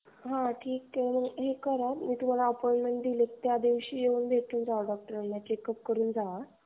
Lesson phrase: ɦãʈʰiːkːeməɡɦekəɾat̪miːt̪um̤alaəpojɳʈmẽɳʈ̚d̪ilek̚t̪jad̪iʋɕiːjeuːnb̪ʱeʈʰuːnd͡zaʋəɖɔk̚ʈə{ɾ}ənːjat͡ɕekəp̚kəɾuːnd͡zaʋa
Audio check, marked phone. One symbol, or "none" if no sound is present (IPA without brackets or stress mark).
ɾ